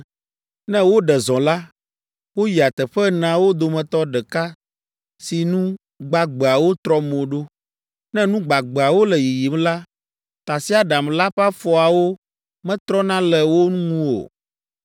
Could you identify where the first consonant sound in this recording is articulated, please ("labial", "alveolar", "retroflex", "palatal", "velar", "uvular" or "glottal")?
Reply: alveolar